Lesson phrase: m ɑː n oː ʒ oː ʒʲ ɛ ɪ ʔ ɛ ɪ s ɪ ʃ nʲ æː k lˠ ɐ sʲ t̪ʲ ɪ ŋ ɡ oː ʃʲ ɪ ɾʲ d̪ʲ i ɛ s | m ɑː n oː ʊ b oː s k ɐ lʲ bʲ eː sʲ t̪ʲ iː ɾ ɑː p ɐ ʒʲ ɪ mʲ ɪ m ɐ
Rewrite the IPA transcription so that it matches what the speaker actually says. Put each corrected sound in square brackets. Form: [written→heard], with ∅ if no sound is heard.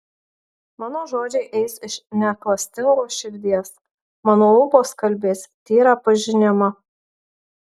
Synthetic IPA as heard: m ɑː n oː ʒ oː [ʒʲ→d͡ʒʲ] ɛ ɪ ʔ ɛ ɪ s ɪ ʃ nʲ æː k lˠ ɐ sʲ t̪ʲ ɪ ŋ ɡ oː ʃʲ ɪ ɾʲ d̪ʲ i ɛ s | m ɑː n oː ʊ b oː s k ɐ lʲ bʲ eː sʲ t̪ʲ iː ɾ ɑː p ɐ ʒʲ ɪ [mʲ→nʲ] ɪ m ɐ